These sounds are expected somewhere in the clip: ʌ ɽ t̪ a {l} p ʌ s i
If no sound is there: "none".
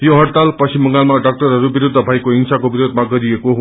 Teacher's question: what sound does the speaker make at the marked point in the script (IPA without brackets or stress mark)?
l